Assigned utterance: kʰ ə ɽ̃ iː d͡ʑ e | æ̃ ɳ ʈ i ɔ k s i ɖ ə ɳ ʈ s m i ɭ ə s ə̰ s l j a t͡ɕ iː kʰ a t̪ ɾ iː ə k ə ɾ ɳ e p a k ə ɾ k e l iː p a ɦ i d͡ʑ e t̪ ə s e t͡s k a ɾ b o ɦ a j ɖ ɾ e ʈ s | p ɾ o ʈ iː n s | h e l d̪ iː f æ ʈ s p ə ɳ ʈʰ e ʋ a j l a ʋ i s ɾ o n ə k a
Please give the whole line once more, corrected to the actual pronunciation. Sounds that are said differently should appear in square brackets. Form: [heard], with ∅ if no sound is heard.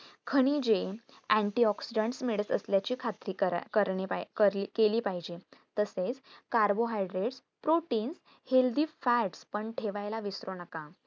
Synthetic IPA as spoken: kʰ ə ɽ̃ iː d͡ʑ e | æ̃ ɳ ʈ i ɔ k s i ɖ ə ɳ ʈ s m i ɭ ə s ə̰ s l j a t͡ɕ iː kʰ a t̪ ɾ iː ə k ə ɾ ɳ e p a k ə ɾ k e l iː p a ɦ i d͡ʑ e t̪ ə s e t͡s k a ɾ b o ɦ a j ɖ ɾ e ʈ s | p ɾ o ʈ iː n s | h e l d̪ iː f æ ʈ s p ə ɳ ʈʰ e ʋ a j l a ʋ i s ɾ o n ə k a